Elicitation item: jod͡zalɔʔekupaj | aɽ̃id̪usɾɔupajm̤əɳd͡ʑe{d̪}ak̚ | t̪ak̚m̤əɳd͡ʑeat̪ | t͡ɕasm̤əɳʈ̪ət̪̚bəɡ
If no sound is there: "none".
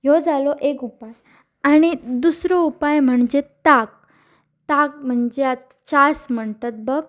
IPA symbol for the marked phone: t̪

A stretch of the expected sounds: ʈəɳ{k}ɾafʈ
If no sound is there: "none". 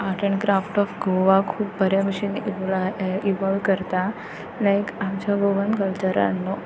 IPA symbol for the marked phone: k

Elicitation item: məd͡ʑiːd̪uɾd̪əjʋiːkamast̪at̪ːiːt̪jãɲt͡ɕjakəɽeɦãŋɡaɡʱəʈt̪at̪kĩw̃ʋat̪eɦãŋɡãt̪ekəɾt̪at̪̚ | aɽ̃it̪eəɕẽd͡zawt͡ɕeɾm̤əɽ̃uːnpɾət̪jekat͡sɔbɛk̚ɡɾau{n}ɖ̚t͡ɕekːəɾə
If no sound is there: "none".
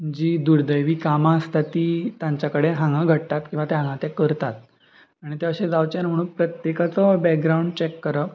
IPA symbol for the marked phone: ɳ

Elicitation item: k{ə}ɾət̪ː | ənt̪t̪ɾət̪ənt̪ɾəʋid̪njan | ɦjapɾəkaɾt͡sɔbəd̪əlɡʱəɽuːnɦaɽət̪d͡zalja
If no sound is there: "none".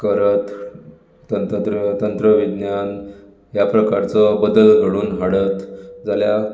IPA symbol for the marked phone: ə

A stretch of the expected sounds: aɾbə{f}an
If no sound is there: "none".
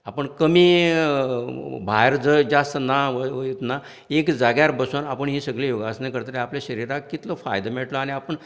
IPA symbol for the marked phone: s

